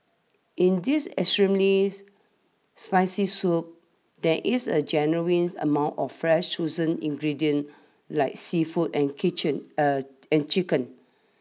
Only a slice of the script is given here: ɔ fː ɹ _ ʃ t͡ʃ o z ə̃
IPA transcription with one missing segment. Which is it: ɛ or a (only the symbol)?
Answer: ɛ